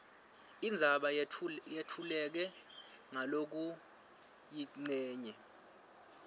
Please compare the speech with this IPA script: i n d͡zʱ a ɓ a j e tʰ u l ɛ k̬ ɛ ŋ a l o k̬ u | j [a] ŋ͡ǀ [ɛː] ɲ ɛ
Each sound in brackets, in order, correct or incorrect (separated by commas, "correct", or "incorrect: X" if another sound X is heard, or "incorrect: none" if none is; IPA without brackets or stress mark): incorrect: i, correct